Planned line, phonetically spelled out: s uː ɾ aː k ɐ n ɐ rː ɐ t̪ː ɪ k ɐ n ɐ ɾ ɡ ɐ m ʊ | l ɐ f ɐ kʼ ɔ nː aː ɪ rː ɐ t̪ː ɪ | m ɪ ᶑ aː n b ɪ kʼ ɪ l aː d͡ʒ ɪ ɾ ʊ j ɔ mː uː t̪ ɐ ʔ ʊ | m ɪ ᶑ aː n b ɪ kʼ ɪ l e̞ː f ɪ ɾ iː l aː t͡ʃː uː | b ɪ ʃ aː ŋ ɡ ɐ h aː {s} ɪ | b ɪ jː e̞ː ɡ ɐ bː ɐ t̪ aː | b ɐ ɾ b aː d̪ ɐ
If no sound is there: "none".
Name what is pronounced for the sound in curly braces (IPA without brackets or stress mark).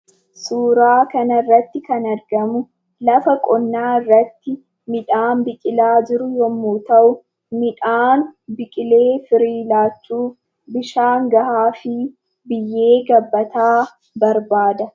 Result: f